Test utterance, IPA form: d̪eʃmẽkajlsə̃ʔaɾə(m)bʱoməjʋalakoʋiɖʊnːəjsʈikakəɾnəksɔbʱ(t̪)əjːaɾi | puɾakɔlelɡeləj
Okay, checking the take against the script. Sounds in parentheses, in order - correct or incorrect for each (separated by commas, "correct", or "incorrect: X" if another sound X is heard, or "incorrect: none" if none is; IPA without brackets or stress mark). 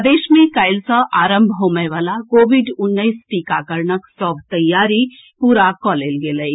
correct, correct